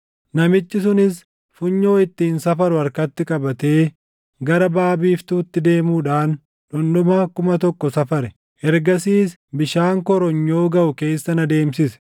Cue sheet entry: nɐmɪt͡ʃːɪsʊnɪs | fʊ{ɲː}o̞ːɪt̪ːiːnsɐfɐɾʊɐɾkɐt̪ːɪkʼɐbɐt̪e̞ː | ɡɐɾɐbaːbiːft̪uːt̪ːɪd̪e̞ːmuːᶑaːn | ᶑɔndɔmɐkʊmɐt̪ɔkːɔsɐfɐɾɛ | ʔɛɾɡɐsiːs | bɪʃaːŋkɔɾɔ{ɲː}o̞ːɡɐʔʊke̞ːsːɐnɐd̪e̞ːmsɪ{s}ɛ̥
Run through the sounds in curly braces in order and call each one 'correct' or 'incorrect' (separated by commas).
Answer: correct, correct, correct